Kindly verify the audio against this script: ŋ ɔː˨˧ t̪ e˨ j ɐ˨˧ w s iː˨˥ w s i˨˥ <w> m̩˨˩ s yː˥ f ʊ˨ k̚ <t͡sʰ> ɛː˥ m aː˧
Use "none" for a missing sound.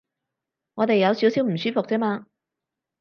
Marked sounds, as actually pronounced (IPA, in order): w, t͡s

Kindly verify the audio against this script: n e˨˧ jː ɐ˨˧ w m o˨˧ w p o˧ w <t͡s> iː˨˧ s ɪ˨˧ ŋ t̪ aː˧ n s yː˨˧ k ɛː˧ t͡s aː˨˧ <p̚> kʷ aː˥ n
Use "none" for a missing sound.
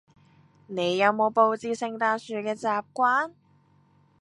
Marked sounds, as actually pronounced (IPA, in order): t͡s, p̚

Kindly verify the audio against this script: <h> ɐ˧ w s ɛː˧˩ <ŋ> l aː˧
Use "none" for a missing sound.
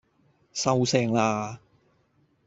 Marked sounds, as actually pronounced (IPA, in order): s, ŋ

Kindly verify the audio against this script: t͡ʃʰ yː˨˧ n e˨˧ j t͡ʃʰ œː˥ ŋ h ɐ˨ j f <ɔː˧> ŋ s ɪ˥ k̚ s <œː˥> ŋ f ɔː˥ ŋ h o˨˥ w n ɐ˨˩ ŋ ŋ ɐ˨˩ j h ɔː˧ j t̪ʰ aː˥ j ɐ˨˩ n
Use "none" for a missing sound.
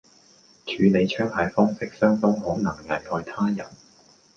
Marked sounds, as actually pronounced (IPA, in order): ɔː˥, œː˥

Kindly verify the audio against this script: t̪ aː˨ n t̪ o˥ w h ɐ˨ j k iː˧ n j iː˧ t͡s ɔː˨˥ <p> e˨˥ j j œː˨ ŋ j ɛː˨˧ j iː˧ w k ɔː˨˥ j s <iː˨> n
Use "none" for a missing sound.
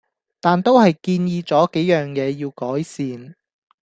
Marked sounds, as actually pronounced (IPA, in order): k, iː˨

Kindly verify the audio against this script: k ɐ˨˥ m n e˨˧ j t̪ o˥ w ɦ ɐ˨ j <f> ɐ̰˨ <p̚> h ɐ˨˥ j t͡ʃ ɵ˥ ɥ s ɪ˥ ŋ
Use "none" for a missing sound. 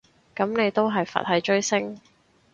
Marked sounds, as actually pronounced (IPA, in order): f, t̚

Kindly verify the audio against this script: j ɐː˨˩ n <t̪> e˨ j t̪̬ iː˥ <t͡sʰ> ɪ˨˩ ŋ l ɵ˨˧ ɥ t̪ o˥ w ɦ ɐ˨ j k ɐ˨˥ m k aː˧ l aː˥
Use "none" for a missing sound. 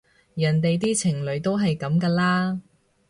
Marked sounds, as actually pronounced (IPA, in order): t̪, t͡sʰ

